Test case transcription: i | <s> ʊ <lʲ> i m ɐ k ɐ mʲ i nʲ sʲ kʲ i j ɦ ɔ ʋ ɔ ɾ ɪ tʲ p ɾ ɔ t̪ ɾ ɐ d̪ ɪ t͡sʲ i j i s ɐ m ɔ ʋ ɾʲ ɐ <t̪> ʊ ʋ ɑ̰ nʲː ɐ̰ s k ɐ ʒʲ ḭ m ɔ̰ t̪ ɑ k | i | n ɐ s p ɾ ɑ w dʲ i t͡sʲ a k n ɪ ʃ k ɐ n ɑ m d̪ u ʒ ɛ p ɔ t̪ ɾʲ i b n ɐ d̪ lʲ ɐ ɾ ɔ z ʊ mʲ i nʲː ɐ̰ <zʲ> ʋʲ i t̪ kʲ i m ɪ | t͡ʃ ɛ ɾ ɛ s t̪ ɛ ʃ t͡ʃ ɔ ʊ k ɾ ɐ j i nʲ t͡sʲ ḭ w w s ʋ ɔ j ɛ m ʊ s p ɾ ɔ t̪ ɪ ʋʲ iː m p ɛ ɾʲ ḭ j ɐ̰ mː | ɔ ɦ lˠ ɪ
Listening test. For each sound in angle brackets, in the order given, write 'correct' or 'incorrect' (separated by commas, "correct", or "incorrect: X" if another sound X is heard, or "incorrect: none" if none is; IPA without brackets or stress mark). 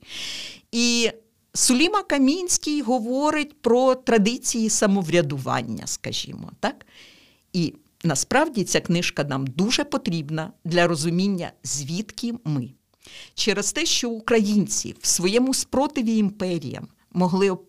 correct, correct, incorrect: d̪, correct